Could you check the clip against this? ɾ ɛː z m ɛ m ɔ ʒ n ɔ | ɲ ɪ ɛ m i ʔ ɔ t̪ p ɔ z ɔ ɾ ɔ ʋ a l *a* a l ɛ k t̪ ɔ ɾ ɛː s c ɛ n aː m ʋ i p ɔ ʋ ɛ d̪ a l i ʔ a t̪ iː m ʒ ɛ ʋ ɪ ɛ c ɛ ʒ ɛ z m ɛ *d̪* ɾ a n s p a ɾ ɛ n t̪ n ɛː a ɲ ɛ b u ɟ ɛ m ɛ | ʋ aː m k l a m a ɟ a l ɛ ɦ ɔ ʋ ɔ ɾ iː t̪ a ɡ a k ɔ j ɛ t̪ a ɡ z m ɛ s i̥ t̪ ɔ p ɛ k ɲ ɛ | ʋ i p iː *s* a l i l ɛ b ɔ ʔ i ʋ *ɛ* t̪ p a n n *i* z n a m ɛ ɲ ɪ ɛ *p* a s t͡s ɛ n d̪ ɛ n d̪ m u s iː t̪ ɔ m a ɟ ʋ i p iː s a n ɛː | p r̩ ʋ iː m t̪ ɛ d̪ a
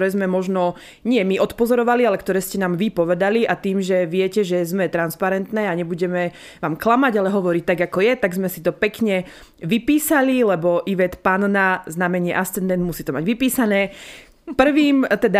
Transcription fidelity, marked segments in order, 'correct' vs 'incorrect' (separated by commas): incorrect, incorrect, correct, correct, incorrect, incorrect